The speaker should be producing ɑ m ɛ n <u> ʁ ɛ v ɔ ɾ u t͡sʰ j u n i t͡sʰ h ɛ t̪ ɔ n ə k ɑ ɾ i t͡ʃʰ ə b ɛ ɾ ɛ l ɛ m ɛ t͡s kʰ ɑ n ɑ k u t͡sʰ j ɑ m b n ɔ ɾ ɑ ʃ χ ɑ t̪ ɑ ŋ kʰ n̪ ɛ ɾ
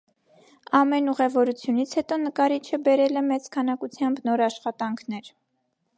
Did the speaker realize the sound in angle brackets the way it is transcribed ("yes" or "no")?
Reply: yes